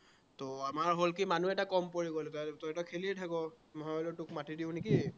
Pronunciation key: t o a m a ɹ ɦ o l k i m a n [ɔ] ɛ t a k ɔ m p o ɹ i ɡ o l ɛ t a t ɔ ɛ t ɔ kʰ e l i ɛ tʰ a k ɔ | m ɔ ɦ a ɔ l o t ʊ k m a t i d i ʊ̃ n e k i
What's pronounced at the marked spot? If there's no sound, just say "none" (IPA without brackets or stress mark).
u